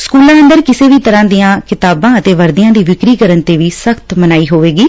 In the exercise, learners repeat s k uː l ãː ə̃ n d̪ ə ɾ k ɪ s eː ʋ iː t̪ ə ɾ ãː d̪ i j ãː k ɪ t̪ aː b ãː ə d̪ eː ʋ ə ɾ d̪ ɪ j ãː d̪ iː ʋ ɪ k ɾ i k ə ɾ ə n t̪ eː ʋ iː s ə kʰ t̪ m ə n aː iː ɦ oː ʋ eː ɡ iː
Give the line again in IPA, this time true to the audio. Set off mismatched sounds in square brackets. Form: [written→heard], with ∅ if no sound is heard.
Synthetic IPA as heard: s k uː l ãː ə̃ n d̪ ə ɾ k ɪ s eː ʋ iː t̪ ə ɾ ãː d̪ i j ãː k ɪ t̪ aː b ãː ə [d̪→t̪] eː ʋ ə ɾ d̪ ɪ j ãː d̪ iː ʋ ɪ k ɾ [i→iː] k ə ɾ ə n t̪ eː ʋ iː s ə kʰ t̪ m ə n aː iː ɦ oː ʋ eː ɡ iː

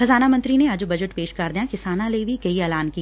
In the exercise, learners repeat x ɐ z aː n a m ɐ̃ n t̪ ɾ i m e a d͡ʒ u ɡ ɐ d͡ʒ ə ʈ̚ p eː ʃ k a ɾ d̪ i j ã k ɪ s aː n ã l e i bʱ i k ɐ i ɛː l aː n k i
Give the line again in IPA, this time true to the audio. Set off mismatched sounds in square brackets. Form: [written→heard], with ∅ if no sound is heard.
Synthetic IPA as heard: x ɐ z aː n a m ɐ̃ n t̪ ɾ i [m→n] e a d͡ʒ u [ɡ→b] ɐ d͡ʒ ə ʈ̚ p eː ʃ k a ɾ d̪ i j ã k ɪ s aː n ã l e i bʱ i k ɐ i ɛː l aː n k i

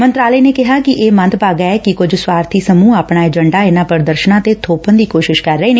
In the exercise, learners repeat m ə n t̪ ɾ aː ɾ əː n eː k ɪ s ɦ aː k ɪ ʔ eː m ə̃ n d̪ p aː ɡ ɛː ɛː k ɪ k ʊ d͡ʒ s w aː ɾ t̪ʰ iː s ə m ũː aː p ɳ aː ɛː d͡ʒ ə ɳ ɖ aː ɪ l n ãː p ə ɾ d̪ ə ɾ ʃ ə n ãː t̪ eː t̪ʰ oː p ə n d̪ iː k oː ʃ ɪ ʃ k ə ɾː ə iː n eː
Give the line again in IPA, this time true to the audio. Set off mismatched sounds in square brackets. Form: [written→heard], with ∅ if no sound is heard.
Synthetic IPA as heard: m ə n t̪ ɾ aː [ɾ→l] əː n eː k ɪ [s→∅] ɦ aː k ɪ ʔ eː m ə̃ n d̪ p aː ɡ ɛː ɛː k ɪ k ʊ d͡ʒ s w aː ɾ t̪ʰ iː s ə m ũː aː p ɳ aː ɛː d͡ʒ ə ɳ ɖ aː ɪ [l→∅] n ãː p ə ɾ d̪ ə ɾ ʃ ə n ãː t̪ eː t̪ʰ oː p ə n d̪ iː k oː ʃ ɪ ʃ k ə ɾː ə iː n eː

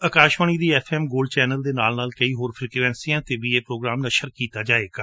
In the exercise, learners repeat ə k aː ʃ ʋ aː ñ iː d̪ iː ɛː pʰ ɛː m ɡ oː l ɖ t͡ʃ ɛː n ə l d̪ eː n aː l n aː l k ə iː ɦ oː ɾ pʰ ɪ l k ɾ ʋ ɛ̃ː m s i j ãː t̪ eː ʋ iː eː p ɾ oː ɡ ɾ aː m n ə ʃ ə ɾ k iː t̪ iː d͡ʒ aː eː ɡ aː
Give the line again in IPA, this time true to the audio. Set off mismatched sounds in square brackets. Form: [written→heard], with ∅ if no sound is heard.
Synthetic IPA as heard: ə k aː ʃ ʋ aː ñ iː d̪ iː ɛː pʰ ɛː m ɡ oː l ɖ t͡ʃ ɛː n ə l d̪ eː n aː l n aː l k ə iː ɦ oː ɾ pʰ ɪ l k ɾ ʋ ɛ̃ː [m→n] s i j ãː t̪ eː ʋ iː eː p ɾ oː ɡ ɾ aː m n ə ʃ ə ɾ k iː t̪ [iː→aː] d͡ʒ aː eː ɡ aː

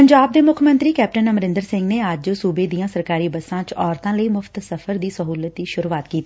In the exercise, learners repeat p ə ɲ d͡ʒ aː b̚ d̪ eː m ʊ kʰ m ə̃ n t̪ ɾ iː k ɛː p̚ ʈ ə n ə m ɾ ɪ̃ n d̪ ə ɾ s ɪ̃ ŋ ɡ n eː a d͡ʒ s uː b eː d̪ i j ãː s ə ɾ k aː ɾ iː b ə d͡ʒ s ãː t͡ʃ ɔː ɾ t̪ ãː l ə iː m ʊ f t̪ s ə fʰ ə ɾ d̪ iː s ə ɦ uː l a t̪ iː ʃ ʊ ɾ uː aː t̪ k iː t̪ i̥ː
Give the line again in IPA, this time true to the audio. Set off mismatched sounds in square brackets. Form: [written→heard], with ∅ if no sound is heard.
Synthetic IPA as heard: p ə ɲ d͡ʒ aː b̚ d̪ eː m ʊ kʰ m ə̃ n t̪ ɾ iː k ɛː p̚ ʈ ə n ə m ɾ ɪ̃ n d̪ ə ɾ s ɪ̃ ŋ ɡ n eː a d͡ʒ s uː b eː d̪ i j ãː s ə ɾ k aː ɾ iː b ə [d͡ʒ→∅] s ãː t͡ʃ ɔː ɾ t̪ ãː l ə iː m ʊ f t̪ s ə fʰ ə ɾ d̪ iː s ə ɦ uː l [a→ə] t̪ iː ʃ ʊ ɾ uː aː t̪ k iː t̪ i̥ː

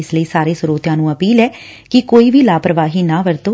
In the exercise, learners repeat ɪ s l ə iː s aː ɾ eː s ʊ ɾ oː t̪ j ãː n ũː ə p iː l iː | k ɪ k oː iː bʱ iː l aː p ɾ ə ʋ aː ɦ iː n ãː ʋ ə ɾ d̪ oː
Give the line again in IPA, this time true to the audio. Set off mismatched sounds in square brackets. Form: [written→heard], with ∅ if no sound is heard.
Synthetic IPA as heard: ɪ s l ə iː s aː ɾ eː s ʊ ɾ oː t̪ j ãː n ũː ə p iː l [iː→ɛː] | k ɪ k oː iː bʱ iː l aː p ɾ ə ʋ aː ɦ iː n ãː ʋ ə ɾ [d̪→t̪] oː

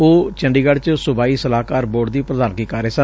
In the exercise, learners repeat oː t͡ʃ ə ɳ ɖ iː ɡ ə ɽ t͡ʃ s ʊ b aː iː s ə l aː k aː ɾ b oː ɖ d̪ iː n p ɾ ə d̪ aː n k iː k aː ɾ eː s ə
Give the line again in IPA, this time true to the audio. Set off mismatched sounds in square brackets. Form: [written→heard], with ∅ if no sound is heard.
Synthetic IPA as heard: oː t͡ʃ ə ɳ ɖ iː ɡ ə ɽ t͡ʃ s ʊ b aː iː s ə l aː k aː ɾ b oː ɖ d̪ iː [n→∅] p ɾ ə d̪ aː n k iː k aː ɾ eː s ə

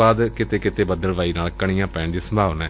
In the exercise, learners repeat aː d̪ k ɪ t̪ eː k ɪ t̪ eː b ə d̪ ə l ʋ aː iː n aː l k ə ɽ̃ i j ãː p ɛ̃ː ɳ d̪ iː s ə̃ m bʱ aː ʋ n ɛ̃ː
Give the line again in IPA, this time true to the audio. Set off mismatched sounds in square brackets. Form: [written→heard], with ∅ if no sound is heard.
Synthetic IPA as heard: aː d̪ k ɪ t̪ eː k ɪ t̪ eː b ə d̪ ə l ʋ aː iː n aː l k ə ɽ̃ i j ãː p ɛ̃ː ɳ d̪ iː s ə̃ m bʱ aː ʋ n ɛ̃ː

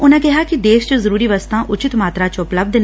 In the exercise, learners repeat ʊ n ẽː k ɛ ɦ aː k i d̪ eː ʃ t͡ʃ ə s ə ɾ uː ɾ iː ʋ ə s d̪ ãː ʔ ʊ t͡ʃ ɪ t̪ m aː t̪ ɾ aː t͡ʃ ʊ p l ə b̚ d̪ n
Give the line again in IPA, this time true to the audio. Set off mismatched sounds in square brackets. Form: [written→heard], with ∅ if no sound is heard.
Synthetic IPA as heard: ʊ n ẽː k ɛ ɦ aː k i d̪ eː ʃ t͡ʃ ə [s→z] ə ɾ uː ɾ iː ʋ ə s [d̪→t̪] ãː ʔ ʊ t͡ʃ ɪ t̪ m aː t̪ ɾ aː t͡ʃ ʊ p l ə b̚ d̪ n

